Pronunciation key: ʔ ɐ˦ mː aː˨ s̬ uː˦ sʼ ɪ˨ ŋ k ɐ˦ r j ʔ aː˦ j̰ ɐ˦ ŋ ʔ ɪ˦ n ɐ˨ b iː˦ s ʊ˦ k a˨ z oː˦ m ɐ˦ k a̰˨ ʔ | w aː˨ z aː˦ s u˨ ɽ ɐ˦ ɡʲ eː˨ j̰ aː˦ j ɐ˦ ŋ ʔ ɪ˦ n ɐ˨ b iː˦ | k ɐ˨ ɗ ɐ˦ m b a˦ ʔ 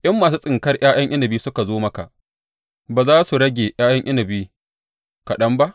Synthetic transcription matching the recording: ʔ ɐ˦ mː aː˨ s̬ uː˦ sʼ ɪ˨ ŋ k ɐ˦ r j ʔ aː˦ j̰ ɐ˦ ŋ ʔ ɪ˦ n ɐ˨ b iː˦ s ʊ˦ k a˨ z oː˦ m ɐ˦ k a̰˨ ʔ | b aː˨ z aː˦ s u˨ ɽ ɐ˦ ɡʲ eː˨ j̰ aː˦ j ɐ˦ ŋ ʔ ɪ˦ n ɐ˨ b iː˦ | k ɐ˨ ɗ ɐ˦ m b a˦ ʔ